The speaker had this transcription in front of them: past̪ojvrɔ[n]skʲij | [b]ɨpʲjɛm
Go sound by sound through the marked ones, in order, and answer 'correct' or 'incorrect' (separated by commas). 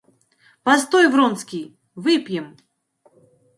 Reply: correct, incorrect